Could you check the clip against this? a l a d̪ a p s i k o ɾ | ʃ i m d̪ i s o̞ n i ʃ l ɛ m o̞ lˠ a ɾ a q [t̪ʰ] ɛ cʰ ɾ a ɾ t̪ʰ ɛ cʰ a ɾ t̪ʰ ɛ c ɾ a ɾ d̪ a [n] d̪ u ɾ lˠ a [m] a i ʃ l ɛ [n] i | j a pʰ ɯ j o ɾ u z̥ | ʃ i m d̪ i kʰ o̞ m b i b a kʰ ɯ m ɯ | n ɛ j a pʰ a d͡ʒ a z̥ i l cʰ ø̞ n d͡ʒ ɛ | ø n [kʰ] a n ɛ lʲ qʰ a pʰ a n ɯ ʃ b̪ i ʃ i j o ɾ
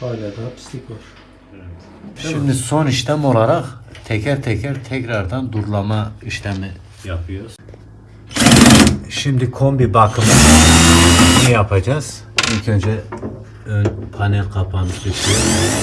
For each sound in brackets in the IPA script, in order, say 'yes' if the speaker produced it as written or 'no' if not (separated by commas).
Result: yes, yes, yes, no, no